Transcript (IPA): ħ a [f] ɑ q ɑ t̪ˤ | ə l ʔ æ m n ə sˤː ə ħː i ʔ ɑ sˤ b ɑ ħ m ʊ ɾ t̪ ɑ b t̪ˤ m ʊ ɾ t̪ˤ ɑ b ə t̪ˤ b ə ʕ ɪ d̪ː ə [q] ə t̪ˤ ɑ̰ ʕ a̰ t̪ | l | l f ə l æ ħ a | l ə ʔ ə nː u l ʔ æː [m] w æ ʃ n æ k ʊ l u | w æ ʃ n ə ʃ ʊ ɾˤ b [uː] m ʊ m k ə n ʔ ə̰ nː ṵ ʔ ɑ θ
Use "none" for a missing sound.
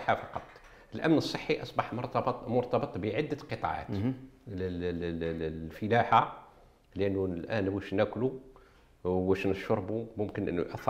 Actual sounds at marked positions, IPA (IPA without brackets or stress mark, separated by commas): f, q, n, u